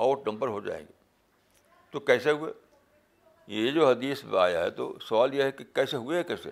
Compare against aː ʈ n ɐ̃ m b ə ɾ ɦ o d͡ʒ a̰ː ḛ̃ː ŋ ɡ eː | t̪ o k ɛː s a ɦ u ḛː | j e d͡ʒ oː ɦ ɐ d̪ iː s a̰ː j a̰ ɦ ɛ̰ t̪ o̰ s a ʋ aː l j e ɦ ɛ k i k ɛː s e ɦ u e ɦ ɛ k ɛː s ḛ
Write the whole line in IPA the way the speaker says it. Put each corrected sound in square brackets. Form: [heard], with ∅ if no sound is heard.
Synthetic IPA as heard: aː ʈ n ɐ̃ m b ə ɾ ɦ o d͡ʒ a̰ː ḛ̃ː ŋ ɡ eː | t̪ o k ɛː s [e] ɦ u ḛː | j e d͡ʒ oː ɦ ɐ d̪ iː s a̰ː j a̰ ɦ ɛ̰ t̪ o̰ s [ɐ] ʋ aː l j e ɦ ɛ k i k ɛː s e ɦ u e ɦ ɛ k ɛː s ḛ